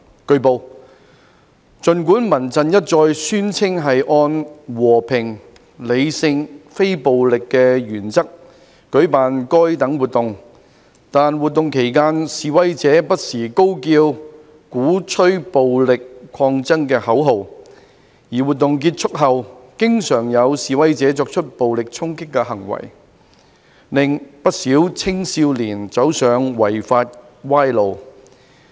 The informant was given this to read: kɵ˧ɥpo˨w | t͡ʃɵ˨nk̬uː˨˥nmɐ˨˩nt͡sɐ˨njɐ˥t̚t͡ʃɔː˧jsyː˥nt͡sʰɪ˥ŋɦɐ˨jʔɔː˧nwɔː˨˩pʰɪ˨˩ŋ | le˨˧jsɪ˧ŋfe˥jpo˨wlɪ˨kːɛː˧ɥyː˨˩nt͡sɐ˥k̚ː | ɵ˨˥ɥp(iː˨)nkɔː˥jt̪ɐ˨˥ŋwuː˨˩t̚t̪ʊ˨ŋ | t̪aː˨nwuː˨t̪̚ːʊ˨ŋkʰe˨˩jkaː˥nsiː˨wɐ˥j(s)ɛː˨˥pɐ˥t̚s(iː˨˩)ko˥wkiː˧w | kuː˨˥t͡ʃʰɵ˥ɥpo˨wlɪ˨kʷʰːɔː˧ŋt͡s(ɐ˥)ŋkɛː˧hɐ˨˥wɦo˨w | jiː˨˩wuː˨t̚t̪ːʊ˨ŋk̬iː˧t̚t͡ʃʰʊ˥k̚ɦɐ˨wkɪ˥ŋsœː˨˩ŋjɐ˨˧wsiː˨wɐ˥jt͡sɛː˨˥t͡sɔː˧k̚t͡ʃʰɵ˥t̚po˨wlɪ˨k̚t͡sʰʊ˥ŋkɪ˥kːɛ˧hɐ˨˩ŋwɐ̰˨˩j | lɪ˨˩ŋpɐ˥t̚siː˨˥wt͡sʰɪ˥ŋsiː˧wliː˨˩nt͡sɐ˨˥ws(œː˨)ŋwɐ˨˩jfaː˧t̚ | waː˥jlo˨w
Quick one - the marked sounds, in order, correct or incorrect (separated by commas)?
incorrect, incorrect, correct, correct, correct